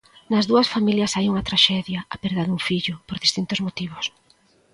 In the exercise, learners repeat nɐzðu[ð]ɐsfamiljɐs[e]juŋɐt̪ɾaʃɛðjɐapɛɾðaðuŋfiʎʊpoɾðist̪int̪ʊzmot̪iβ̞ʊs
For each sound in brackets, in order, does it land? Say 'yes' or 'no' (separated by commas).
no, no